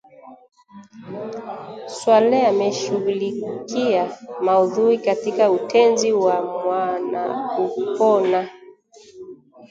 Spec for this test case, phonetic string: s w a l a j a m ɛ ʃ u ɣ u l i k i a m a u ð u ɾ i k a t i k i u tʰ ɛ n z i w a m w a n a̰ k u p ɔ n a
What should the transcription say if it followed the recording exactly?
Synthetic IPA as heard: s w a l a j a m ɛ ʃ u ɣ u l i k i a m a u ð u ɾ i k a t i k a u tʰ ɛ n z i w a m w a n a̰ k u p ɔ n a